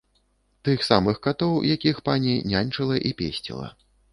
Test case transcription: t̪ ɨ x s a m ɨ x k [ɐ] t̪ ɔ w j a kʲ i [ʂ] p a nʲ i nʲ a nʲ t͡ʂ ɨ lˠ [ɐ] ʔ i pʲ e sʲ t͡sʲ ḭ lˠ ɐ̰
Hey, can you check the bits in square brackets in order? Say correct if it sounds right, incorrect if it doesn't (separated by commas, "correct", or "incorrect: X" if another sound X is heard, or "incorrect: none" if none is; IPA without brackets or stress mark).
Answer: incorrect: a, incorrect: x, correct